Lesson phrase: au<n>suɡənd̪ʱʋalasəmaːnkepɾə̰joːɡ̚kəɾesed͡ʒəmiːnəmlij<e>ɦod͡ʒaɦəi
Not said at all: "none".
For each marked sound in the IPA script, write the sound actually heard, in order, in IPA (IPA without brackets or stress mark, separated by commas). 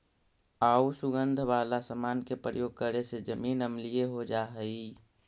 none, e